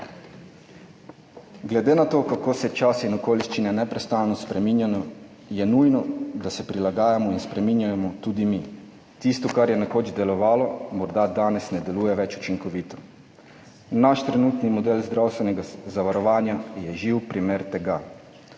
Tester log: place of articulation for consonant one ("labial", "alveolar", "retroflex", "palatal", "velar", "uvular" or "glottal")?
velar